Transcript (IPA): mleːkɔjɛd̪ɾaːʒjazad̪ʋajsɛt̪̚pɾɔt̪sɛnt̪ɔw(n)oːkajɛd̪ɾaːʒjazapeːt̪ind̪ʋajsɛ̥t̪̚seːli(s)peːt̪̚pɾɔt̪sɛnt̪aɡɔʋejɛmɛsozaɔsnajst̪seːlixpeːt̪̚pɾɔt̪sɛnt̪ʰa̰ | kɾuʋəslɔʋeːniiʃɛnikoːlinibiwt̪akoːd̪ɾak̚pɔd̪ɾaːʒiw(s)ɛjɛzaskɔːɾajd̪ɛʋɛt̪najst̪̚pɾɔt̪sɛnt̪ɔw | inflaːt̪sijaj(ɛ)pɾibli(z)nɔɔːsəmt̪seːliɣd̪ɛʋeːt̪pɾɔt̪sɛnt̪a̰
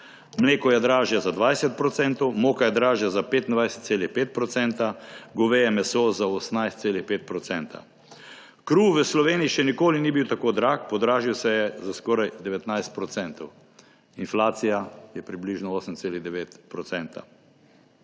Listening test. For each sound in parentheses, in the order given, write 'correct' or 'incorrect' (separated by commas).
incorrect, incorrect, correct, correct, incorrect